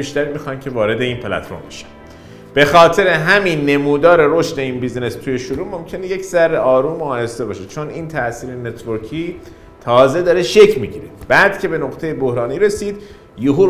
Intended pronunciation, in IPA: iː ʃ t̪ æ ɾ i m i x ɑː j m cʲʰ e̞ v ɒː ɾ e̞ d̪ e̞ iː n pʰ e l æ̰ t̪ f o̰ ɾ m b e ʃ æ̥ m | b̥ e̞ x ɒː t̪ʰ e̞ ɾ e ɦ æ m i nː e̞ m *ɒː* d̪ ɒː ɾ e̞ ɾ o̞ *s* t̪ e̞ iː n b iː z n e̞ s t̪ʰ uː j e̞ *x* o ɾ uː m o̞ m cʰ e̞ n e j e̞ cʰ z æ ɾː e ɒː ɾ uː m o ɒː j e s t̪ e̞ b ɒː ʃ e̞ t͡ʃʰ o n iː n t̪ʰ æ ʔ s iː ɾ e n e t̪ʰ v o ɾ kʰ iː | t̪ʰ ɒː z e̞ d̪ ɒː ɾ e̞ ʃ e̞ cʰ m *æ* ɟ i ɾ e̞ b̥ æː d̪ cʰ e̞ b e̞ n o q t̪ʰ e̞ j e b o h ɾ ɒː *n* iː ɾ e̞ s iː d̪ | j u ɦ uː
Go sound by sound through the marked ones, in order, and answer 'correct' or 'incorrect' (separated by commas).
incorrect, incorrect, incorrect, incorrect, correct